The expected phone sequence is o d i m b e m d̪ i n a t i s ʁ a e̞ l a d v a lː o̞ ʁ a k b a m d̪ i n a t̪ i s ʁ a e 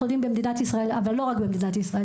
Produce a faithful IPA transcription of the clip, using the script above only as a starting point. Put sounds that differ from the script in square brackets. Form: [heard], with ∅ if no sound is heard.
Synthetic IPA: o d i m b e m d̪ i n a t i s ʁ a e̞ l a [∅] v a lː o̞ ʁ a k b [e] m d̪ i n a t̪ i s ʁ a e